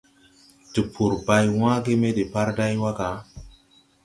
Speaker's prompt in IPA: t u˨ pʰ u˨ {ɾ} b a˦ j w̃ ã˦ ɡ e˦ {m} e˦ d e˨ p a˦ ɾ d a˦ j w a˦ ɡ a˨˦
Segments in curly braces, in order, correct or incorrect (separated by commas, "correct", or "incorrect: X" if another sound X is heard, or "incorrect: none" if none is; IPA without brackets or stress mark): correct, correct